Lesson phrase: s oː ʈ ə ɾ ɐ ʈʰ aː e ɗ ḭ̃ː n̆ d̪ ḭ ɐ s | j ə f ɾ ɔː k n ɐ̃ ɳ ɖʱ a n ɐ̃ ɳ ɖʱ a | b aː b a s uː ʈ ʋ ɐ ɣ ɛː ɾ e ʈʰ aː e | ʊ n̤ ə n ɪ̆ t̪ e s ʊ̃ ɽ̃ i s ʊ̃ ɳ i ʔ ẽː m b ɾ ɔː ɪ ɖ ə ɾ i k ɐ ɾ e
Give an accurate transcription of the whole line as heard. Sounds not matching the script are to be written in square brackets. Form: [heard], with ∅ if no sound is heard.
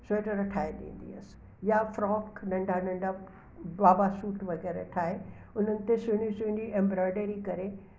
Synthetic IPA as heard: s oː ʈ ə ɾ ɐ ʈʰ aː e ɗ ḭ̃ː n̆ d̪ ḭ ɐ s | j [a] f ɾ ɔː k n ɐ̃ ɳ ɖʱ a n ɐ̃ ɳ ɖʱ a | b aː b a s uː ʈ ʋ ɐ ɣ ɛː ɾ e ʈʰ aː e | ʊ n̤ ə n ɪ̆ t̪ e s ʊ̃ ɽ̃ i s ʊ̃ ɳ i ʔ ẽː m b ɾ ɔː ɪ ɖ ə ɾ i k ɐ ɾ e